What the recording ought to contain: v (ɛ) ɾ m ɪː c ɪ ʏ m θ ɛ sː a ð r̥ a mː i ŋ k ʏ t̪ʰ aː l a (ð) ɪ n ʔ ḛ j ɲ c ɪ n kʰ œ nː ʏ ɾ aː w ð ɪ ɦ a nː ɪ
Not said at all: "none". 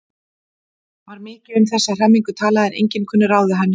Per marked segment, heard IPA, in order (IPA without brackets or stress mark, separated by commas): a, ð